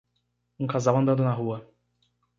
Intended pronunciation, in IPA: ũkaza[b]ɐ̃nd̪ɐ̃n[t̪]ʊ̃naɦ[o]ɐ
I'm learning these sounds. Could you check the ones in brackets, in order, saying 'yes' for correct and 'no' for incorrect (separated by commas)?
no, no, no